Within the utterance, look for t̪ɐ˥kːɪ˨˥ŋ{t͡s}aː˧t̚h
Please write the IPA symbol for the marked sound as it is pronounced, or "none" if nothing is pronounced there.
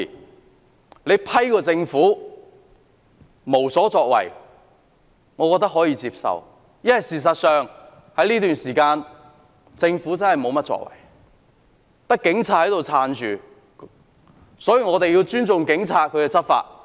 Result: t͡sʰ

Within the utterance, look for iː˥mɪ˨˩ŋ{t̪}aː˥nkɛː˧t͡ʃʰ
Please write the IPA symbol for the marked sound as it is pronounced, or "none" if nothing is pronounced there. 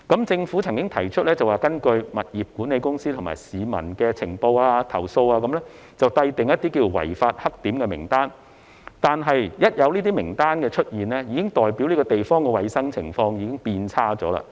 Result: t̪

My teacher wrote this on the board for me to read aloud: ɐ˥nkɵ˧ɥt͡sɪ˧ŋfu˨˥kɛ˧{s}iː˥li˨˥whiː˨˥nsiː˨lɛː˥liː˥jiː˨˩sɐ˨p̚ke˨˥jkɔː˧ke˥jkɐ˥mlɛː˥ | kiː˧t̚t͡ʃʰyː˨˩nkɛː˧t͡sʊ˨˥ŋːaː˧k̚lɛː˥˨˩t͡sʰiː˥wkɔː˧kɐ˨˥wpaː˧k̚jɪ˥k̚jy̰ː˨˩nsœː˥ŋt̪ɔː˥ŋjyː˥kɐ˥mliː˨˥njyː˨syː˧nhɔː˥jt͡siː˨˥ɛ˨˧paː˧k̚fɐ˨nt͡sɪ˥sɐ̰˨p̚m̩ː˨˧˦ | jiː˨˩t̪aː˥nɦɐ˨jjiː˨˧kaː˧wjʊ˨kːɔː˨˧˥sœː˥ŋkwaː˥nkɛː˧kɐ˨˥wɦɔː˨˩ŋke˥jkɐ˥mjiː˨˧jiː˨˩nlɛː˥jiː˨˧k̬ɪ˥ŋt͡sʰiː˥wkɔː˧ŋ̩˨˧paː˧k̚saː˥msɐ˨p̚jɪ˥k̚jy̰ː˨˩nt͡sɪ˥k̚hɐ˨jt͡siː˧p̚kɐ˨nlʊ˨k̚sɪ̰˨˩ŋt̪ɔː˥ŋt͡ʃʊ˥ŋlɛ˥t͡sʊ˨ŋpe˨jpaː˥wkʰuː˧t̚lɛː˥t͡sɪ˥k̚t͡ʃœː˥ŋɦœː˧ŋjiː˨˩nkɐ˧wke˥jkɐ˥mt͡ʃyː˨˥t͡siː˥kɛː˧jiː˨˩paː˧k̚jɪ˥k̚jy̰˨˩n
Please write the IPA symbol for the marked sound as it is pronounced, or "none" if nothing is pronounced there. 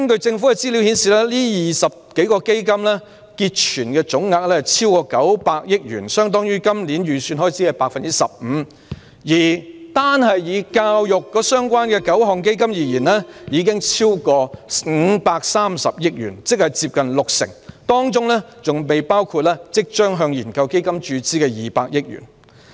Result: t͡s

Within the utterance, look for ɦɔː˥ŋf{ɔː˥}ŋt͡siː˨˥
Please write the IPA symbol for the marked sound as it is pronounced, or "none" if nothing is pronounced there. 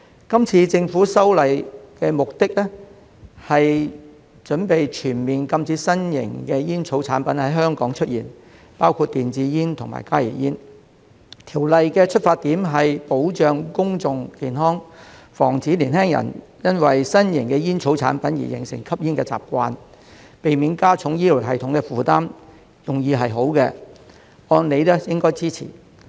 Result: ɔː˨˩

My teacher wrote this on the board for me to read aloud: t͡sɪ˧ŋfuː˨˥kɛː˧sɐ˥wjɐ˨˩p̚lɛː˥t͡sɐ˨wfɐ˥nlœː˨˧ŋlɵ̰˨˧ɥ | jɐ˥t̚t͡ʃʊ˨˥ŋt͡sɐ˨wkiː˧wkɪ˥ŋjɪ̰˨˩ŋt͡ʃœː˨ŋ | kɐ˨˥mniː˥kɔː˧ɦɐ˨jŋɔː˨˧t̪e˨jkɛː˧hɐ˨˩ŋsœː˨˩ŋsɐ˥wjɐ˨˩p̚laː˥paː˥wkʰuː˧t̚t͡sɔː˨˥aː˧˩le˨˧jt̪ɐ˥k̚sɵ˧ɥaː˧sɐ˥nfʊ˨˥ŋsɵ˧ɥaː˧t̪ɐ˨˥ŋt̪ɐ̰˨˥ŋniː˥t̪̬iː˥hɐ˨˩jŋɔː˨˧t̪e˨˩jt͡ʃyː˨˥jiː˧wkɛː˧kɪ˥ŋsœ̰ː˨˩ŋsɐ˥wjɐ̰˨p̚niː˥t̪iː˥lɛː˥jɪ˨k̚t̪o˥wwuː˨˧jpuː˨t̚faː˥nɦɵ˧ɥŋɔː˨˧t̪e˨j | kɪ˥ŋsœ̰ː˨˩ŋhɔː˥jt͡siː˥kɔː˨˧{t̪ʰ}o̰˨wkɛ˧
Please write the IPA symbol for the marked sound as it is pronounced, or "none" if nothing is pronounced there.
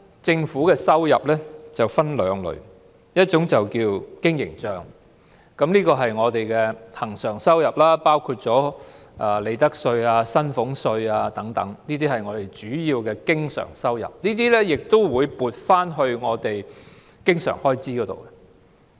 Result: t̪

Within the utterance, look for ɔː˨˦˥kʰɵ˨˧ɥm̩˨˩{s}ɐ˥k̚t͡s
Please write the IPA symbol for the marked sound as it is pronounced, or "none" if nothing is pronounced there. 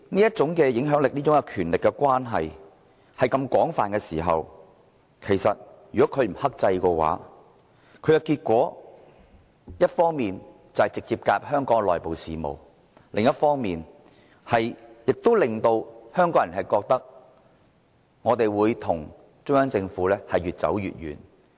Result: h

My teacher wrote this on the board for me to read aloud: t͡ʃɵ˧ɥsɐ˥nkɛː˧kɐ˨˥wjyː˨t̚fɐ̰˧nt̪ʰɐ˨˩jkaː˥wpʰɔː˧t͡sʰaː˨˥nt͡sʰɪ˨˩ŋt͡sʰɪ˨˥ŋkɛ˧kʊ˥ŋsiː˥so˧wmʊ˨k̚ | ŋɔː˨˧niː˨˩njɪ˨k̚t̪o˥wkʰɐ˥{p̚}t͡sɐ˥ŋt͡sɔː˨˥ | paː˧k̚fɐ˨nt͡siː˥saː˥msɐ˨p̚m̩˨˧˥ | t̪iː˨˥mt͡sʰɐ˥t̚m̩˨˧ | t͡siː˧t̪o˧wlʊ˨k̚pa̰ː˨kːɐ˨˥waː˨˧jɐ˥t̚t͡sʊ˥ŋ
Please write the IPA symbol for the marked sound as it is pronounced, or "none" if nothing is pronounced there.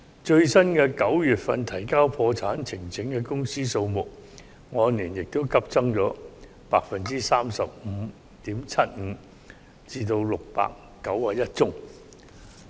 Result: p̚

